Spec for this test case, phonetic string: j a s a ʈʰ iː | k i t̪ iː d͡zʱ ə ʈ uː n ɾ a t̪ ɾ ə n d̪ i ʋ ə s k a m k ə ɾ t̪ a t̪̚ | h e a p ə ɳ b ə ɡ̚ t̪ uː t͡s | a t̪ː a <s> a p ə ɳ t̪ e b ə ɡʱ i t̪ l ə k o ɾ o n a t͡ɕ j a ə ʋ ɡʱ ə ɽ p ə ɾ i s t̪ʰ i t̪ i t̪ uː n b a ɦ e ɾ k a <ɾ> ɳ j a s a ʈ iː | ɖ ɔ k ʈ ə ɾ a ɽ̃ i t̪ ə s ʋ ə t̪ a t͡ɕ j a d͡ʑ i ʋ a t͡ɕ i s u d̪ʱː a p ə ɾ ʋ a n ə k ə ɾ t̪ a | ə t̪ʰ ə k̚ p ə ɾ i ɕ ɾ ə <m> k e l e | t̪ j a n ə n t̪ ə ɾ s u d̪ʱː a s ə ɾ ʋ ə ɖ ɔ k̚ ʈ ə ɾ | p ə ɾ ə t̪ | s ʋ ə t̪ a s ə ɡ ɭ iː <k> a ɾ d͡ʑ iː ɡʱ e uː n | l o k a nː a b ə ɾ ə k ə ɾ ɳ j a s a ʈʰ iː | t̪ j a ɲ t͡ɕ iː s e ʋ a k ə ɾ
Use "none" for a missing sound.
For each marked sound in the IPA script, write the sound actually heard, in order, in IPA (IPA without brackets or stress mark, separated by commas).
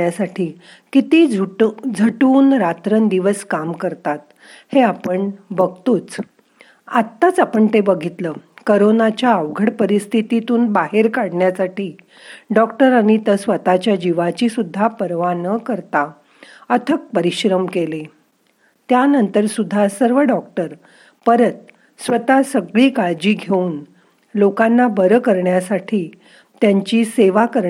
t͡s, ɽ, m, k